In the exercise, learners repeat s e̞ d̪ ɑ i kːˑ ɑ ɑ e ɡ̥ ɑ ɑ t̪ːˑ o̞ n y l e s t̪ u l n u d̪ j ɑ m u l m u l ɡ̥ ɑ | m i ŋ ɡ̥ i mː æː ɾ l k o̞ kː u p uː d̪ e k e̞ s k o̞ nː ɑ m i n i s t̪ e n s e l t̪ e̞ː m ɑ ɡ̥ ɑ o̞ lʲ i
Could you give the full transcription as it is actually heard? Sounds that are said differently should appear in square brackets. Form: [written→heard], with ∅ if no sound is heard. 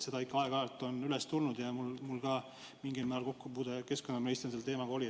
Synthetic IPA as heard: s e̞ d̪ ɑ i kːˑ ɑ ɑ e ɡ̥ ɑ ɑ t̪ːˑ o̞ n y l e s t̪ u l n u d̪ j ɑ m u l m u l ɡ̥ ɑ | m i ŋ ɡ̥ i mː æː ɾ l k o̞ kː u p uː d̪ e k e̞ s k o̞ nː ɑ m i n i s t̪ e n s e l t̪ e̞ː m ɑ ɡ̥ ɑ o̞ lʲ i